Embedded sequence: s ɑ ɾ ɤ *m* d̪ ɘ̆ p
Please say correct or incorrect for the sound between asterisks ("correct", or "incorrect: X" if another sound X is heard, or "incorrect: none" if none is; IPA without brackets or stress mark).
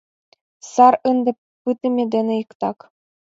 incorrect: n